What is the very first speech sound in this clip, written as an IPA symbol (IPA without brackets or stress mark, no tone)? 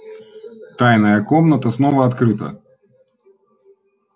t̪